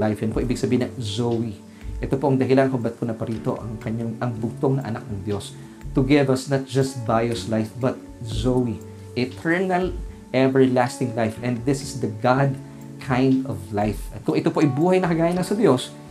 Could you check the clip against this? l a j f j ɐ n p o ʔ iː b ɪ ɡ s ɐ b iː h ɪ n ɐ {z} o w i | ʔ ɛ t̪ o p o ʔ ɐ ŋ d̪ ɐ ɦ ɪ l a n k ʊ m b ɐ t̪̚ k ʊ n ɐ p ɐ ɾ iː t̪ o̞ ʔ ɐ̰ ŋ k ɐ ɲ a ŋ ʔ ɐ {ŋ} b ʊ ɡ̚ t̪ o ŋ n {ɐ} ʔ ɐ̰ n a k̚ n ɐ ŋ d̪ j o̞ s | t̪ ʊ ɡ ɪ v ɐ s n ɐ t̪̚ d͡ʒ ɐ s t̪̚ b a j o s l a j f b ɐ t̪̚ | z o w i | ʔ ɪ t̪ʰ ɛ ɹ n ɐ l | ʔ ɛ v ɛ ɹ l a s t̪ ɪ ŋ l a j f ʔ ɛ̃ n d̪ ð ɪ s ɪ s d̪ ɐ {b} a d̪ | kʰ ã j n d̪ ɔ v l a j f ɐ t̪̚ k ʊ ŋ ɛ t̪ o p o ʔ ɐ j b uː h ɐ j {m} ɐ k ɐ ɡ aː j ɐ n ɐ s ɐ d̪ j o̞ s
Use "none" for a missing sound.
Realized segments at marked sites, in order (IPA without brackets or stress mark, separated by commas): z, ŋ, ɐ, ɡ, n